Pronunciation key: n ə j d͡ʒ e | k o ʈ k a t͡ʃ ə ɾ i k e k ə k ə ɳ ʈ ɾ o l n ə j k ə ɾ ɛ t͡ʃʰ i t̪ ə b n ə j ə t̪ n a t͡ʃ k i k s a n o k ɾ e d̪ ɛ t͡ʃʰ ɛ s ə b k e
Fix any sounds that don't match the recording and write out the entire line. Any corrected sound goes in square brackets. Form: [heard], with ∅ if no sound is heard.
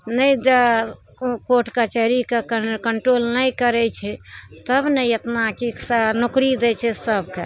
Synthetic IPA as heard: n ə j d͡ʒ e | k o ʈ k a t͡ʃ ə ɾ i k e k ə k ə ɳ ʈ ɾ o l n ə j k ə ɾ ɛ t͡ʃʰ [ɛ] t̪ ə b n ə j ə t̪ n a [∅] k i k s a n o k ɾ [i] d̪ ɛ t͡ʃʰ ɛ s ə b k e